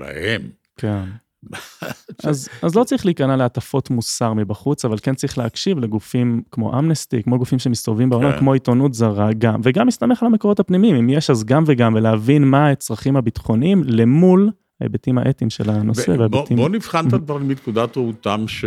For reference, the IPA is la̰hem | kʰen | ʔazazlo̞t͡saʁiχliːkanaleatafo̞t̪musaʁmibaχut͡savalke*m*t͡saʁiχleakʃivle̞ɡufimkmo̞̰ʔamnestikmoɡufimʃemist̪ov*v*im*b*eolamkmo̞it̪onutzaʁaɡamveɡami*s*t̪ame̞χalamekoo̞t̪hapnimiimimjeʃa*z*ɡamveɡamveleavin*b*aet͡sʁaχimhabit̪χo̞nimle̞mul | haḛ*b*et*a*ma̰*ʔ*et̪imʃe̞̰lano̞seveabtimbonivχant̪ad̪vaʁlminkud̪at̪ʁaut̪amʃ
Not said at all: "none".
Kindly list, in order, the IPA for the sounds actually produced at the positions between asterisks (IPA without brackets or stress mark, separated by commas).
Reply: n, v, b, s, z, m, b, i, ʔ